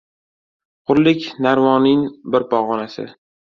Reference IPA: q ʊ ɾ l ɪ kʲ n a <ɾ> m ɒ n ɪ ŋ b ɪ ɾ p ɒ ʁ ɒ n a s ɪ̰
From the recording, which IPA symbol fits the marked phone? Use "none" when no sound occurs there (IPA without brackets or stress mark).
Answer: ɾ